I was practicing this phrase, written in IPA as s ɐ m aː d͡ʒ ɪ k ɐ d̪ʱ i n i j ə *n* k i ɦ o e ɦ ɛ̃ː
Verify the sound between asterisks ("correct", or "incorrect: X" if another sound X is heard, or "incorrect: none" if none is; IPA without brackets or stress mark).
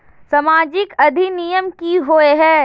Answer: incorrect: m